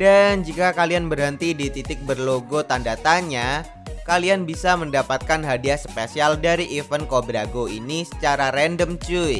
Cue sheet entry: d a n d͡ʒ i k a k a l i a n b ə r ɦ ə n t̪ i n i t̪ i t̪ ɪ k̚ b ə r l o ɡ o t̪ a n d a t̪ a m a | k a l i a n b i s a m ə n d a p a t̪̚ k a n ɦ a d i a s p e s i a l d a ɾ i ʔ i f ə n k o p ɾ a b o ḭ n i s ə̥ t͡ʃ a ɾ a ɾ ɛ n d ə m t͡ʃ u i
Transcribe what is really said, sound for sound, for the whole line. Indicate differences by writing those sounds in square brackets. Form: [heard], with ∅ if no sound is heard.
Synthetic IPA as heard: d a n d͡ʒ i k a k a l i a n b ə r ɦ ə n t̪ i [d] i t̪ i t̪ ɪ k̚ b ə r l o ɡ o t̪ a n d a t̪ a [ɲ] a | k a l i a n b i s a m ə n d a p a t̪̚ k a n ɦ a d i a s p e s i a l d a ɾ i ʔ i f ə n k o [b] ɾ a [ɡ] o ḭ n i s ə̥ t͡ʃ a ɾ a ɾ ɛ n d ə m t͡ʃ u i